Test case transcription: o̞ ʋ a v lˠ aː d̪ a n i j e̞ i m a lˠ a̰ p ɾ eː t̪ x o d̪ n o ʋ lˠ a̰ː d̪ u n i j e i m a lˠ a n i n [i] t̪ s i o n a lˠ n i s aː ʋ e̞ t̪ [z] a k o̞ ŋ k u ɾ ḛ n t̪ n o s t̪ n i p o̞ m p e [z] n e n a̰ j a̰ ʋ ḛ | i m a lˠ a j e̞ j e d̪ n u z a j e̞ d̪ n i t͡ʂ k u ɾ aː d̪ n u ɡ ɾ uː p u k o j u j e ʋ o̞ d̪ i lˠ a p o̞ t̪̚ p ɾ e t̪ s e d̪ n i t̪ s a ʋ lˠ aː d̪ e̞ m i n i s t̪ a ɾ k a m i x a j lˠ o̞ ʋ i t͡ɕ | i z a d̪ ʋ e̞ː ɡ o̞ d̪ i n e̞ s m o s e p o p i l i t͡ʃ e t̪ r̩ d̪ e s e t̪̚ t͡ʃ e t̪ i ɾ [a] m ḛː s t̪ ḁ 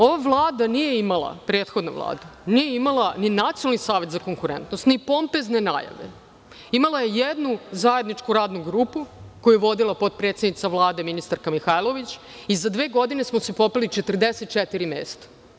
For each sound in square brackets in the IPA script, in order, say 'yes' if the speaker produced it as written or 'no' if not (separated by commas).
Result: no, yes, yes, no